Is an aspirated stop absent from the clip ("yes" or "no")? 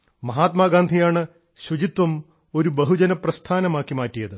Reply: no